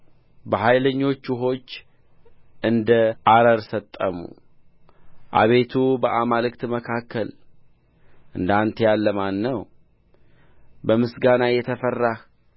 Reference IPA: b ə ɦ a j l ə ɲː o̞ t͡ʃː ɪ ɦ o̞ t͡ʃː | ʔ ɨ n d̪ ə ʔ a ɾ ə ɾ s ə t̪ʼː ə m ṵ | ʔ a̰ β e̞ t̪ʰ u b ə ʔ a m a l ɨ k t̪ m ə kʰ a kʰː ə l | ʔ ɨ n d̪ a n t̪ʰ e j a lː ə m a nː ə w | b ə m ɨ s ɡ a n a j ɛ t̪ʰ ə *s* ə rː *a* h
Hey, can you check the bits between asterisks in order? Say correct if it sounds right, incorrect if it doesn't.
incorrect, correct

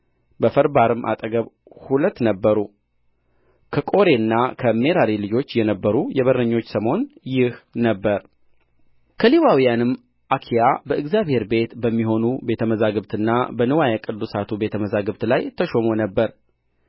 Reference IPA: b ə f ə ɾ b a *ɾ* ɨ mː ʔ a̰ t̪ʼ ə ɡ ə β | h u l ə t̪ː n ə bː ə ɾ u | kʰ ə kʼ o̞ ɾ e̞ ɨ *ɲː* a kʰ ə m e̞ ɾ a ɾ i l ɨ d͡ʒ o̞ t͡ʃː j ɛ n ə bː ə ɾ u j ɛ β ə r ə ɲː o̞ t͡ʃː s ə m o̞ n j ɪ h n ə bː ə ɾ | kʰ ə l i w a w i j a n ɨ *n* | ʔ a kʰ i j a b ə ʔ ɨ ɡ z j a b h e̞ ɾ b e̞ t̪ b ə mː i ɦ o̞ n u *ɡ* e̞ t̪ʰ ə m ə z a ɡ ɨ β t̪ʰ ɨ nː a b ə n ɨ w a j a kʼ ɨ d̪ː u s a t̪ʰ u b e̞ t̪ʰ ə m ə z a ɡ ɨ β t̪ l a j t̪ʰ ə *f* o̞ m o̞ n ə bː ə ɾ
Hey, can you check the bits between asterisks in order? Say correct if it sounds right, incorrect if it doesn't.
correct, incorrect, incorrect, incorrect, incorrect

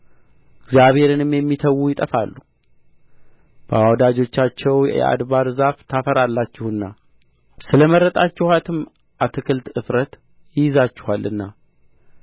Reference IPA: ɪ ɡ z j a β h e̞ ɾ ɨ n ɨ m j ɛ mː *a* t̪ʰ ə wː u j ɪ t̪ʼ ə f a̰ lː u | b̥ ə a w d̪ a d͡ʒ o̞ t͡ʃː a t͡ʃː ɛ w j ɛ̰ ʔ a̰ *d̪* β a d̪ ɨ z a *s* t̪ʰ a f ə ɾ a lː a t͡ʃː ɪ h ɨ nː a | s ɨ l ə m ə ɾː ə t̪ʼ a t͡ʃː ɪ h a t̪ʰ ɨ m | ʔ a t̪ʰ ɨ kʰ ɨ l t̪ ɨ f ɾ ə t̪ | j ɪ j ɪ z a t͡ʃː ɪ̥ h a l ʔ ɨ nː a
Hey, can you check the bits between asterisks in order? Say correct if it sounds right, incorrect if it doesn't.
incorrect, correct, incorrect

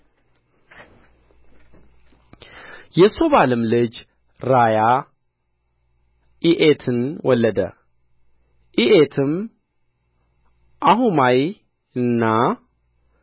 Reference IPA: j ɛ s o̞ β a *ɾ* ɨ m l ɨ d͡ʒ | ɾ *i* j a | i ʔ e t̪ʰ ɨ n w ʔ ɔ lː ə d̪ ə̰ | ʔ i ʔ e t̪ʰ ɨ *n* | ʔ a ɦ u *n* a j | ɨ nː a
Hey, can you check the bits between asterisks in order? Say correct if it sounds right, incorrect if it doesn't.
incorrect, incorrect, incorrect, incorrect

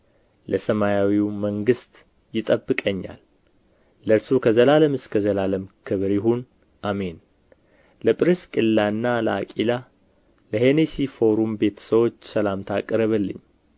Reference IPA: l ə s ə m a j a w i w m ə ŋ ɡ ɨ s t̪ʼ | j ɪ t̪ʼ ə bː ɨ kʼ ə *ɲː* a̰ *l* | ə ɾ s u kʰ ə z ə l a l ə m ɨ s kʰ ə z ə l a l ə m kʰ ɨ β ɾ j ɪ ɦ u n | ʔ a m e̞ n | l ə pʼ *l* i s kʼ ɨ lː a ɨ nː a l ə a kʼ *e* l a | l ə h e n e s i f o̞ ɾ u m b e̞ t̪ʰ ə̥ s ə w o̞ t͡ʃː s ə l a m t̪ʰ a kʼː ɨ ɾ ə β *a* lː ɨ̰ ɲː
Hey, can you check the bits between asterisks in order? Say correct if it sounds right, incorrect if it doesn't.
correct, incorrect, incorrect, incorrect, incorrect

